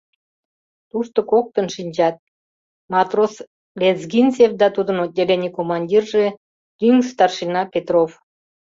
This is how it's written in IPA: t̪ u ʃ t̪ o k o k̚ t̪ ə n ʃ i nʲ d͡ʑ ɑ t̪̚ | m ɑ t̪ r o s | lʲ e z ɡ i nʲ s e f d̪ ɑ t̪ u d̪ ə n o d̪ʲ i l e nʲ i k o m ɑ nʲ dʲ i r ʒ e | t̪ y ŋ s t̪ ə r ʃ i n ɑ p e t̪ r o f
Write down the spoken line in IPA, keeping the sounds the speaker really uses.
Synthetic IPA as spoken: t̪ u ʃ t̪ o k o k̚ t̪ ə n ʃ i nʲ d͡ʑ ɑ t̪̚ | m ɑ t̪ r o s | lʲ e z ɡ i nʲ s e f d̪ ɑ t̪ u d̪ ə n o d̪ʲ e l e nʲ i k o m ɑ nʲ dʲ i r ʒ e | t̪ y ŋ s t̪ ɑ r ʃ i n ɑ p e t̪ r o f